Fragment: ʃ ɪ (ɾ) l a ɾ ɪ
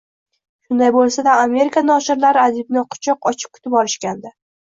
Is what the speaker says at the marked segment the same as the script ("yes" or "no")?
yes